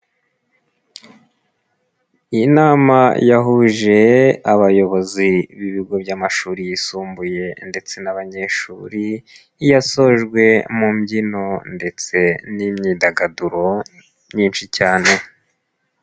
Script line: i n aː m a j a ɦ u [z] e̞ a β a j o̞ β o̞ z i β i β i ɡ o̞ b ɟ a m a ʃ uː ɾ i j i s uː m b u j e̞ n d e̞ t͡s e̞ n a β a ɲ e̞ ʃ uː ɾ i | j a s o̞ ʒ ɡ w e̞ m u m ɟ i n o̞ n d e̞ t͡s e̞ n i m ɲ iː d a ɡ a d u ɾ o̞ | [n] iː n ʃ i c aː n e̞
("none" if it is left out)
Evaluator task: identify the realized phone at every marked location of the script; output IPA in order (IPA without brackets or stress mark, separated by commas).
ʒ, ɲ